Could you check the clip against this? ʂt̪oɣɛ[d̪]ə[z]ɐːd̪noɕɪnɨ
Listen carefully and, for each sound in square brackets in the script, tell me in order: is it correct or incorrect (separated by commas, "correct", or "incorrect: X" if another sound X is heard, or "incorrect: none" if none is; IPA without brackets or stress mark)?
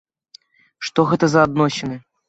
incorrect: t̪, correct